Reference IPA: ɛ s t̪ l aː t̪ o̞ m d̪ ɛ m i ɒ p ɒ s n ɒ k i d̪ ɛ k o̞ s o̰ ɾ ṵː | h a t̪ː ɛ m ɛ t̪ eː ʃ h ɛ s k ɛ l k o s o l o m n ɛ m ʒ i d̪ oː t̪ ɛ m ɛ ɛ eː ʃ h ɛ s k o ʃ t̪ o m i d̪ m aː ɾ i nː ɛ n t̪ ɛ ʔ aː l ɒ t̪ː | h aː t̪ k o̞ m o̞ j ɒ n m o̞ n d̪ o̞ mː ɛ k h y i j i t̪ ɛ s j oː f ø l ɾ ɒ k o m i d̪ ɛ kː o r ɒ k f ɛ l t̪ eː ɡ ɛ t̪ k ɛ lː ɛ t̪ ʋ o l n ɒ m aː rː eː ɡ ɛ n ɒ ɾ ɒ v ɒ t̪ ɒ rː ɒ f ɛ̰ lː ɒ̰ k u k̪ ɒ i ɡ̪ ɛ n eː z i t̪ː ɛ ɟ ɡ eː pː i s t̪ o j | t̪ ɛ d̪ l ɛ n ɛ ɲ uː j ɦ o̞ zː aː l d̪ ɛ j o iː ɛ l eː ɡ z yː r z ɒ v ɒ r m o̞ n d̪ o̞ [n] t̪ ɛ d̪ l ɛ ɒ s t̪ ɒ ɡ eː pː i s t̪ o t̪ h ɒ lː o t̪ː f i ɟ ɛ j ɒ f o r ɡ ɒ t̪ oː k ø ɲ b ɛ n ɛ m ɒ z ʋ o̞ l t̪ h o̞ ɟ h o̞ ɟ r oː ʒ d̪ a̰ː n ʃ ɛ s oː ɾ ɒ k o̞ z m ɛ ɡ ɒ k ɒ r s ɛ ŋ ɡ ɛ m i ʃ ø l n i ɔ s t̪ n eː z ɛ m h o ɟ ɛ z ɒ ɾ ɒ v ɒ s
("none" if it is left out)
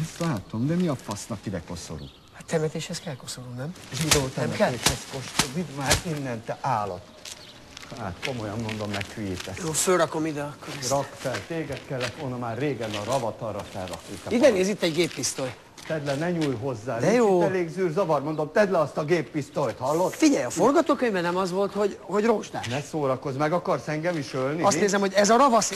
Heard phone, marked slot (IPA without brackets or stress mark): m